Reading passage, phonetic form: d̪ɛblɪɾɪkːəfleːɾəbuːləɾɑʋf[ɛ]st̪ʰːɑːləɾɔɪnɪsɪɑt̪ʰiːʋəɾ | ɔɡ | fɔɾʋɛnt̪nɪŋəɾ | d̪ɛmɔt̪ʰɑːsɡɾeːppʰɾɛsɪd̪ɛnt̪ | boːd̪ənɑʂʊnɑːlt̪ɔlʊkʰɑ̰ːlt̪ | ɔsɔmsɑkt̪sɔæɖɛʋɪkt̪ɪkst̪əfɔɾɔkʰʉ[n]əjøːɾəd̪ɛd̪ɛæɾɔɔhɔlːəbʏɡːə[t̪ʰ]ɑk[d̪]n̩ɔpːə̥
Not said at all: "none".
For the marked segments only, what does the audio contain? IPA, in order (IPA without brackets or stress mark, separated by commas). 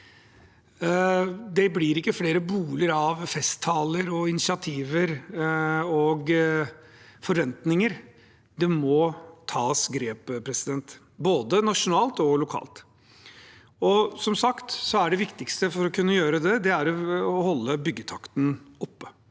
ɛ, nː, t̪ʰ, t̪